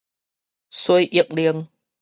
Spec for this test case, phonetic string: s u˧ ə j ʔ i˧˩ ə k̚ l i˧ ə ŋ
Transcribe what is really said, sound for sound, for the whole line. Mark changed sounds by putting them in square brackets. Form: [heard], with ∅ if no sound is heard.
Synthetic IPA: s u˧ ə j ʔ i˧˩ ə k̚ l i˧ ə ŋ

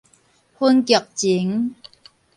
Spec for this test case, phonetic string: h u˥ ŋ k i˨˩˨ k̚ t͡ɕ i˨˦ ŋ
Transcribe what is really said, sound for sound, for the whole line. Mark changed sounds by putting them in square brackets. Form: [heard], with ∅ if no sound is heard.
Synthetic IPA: h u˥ [n] k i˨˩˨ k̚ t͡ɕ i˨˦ ŋ

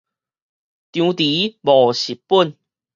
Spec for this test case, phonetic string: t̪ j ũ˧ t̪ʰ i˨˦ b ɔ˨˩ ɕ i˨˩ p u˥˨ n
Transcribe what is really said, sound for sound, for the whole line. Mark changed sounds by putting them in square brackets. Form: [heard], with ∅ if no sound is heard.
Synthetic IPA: t̪ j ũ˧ [t̪] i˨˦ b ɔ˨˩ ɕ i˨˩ p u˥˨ n

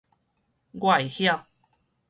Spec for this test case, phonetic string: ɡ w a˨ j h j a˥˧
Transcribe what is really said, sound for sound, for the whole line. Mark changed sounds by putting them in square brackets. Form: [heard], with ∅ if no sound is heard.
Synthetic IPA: ɡ w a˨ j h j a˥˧

